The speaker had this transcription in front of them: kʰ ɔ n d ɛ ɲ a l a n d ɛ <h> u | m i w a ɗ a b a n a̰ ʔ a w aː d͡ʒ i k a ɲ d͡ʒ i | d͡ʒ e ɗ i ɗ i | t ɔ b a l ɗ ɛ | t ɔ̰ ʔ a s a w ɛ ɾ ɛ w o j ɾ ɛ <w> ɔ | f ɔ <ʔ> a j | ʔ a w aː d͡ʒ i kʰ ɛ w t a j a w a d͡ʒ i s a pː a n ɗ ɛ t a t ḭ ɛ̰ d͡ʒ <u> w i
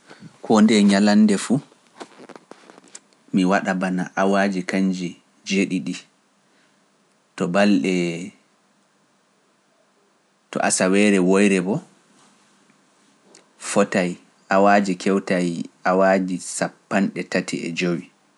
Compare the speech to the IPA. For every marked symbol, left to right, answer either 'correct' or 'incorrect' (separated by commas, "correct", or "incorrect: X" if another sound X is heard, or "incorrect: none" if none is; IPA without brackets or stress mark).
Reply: incorrect: f, incorrect: b, incorrect: t, incorrect: o